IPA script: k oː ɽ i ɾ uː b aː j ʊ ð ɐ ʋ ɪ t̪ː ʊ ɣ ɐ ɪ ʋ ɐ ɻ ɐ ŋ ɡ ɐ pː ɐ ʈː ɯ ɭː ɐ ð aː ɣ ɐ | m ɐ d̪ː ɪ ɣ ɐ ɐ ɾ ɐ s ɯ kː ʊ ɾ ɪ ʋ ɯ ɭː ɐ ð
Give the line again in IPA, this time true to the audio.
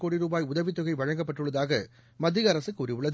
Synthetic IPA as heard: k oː ɽ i ɾ uː b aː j ʊ ð ɐ ʋ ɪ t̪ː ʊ ɣ ɐ ɪ ʋ ɐ ɻ ɐ ŋ ɡ ɐ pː ɐ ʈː ɯ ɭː ɐ ð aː ɣ ɐ | m ɐ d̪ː ɪ ɣ ɐ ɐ ɾ ɐ s ɯ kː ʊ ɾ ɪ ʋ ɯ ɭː ɐ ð